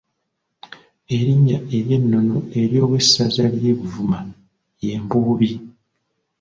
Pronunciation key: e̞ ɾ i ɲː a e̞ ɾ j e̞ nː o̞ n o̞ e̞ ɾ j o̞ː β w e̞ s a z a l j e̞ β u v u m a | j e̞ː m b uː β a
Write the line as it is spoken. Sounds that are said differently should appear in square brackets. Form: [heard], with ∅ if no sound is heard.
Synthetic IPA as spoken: e̞ ɾ i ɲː a e̞ ɾ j e̞ nː o̞ n o̞ e̞ ɾ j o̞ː β w e̞ s a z a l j e̞ β u v u m a | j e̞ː m b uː β [i]